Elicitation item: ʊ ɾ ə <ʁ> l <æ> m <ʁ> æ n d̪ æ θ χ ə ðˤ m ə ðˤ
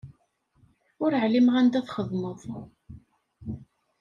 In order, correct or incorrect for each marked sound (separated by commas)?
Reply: incorrect, incorrect, correct